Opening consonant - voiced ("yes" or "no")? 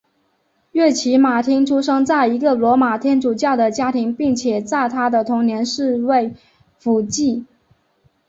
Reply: yes